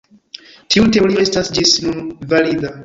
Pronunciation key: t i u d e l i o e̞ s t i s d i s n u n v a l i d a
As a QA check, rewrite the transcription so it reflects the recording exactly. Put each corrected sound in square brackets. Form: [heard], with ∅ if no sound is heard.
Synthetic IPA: t i u [t] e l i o e̞ s t [a] s [d͡ʒ] i s n u n v a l i d a